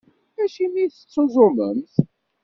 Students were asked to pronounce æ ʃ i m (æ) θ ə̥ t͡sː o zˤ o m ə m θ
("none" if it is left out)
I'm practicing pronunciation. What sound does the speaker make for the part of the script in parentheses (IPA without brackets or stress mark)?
i